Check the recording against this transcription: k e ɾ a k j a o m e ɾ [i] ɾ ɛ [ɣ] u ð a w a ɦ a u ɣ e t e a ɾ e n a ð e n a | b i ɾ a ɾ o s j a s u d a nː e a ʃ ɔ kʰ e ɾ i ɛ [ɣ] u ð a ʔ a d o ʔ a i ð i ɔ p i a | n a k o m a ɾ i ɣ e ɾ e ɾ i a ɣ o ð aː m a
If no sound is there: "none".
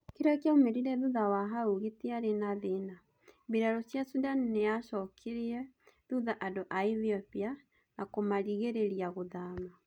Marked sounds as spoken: i, ð, ð

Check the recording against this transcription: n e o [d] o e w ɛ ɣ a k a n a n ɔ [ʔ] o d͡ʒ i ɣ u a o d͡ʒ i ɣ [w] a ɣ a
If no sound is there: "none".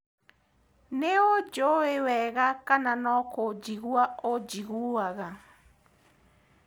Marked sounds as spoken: d͡ʒ, k, u

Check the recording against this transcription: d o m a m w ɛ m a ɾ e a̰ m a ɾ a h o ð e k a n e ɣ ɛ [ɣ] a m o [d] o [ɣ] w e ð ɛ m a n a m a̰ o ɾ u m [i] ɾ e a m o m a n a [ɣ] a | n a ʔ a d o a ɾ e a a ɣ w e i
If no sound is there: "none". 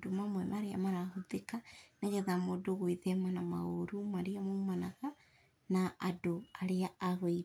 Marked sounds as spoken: ð, d, ɣ, a, ɣ

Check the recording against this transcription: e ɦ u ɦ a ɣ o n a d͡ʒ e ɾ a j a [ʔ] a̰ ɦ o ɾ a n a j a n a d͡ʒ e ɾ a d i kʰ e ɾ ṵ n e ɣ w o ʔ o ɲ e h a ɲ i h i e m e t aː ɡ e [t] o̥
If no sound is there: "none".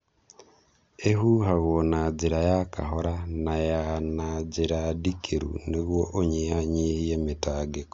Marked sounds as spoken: k, k

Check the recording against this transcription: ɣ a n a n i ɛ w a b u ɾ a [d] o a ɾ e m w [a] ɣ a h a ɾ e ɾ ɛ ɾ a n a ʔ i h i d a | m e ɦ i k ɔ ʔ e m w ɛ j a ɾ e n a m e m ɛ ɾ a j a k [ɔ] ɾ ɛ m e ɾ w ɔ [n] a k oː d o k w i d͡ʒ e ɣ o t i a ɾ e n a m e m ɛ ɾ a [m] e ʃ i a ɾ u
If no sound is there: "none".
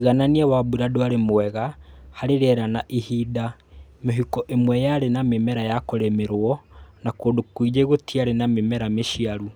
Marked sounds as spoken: d, ɛ, o, n, m

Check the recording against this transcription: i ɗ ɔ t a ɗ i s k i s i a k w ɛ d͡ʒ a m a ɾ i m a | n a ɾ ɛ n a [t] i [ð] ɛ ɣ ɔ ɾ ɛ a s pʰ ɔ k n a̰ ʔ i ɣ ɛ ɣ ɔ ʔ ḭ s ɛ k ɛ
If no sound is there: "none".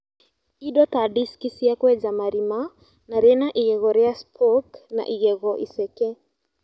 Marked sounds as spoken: ʔ, ɣ

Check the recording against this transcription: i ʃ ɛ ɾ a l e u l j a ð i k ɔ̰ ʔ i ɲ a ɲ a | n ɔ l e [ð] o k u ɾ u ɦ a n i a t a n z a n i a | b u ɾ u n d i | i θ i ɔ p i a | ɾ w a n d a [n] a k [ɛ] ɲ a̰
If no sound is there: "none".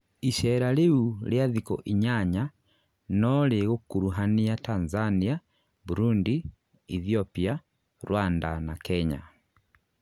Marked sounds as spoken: ɣ, n, ɛ

